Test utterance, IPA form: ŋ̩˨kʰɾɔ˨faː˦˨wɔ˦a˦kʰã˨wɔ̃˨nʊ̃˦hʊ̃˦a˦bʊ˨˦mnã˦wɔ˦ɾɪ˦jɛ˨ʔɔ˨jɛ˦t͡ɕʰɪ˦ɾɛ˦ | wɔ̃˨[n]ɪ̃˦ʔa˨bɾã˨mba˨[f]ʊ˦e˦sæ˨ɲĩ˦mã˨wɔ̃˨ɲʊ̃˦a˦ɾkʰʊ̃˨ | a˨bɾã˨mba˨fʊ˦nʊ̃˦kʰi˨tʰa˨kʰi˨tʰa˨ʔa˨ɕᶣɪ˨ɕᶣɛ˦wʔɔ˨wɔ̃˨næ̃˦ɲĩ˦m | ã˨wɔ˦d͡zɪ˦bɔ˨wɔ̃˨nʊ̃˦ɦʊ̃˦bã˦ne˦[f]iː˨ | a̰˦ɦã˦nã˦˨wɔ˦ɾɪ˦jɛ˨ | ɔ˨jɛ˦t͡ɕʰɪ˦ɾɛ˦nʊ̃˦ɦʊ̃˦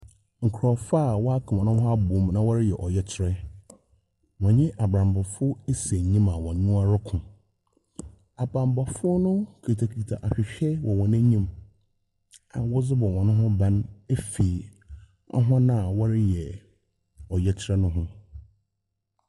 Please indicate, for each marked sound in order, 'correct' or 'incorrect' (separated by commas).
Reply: incorrect, correct, correct